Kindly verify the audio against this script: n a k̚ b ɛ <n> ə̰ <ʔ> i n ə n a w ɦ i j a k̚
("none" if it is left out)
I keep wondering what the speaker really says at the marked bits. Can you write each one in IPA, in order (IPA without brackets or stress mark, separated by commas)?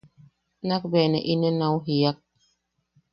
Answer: n, ʔ